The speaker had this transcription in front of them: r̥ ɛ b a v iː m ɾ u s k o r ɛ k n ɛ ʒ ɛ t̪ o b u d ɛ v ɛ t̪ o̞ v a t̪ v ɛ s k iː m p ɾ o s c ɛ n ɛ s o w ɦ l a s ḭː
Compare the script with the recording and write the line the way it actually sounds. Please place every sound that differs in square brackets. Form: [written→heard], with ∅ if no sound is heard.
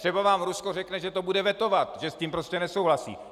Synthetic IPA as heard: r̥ ɛ b a v [iː→aː] m ɾ u s k o r ɛ k n ɛ ʒ ɛ t̪ o b u d ɛ v ɛ t̪ o̞ v a t̪ [v→ʒ] ɛ s [k→c] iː m p ɾ o s c ɛ n ɛ s o w ɦ l a s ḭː